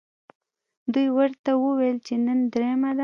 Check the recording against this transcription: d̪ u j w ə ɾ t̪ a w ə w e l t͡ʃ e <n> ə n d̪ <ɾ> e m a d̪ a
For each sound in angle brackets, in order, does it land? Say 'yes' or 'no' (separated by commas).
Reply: yes, yes